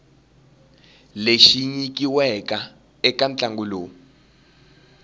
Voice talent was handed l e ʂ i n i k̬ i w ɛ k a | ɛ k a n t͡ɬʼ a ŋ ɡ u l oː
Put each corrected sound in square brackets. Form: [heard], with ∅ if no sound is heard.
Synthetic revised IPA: l e [ʃ] i [ɲ] i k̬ i w ɛ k a | ɛ k a n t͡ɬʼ a ŋ ɡ u l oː